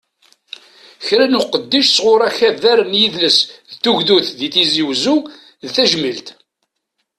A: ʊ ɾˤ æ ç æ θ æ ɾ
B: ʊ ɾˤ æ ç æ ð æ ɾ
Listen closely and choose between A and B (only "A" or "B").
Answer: B